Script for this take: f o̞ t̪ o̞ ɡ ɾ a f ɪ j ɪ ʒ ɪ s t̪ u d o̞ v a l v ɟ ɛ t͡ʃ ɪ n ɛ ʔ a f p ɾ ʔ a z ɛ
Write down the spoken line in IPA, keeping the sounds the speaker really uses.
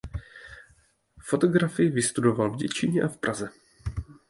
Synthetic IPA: f o̞ t̪ o̞ ɡ ɾ a f ɪ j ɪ v ɪ s t̪ u d o̞ v a l v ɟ ɛ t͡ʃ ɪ ɲ ɛ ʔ a f p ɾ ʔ a z ɛ